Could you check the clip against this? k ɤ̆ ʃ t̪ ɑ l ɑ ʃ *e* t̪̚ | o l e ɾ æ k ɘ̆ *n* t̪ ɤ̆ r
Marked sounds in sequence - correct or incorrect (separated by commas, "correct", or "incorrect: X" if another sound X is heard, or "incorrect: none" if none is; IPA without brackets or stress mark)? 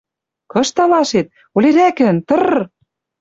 correct, correct